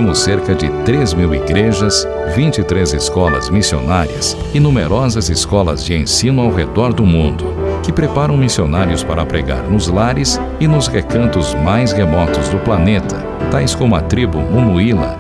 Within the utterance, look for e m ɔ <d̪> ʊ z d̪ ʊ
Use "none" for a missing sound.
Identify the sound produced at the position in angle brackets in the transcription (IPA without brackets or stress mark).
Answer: t̪